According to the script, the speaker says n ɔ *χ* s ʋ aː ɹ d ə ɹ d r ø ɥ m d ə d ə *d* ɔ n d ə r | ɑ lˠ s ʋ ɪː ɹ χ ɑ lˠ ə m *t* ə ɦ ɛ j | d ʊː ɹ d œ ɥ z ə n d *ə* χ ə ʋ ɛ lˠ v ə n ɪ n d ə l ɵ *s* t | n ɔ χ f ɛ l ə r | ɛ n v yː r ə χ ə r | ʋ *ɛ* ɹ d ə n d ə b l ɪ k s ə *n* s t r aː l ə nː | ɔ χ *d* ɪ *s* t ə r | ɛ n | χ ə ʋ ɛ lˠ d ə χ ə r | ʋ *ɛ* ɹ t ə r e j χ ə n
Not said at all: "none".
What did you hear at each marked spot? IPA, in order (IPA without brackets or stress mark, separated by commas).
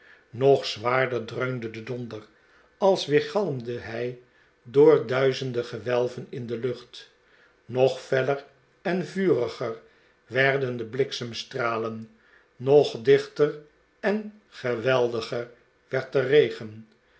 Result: χ, d, d, ə, χ, ɛ, m, d, χ, ɛ